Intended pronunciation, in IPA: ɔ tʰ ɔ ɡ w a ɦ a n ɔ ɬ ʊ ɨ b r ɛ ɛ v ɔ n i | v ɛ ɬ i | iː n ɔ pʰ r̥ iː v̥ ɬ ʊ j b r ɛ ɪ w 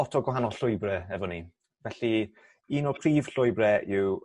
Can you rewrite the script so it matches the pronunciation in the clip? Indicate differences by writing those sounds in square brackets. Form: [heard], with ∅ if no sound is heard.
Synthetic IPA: ɔ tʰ ɔ ɡ w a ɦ a n ɔ ɬ ʊ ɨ b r ɛ ɛ v ɔ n i | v ɛ ɬ i | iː n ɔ pʰ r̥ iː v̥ ɬ ʊ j b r ɛ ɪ w